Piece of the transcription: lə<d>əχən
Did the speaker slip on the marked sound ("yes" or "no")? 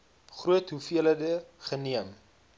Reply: no